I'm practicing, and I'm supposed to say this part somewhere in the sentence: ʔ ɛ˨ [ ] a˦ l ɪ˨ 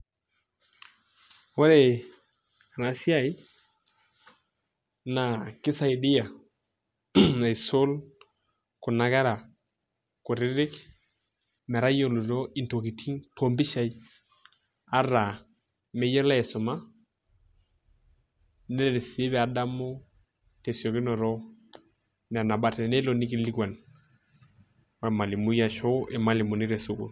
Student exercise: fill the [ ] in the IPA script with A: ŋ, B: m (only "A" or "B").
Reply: B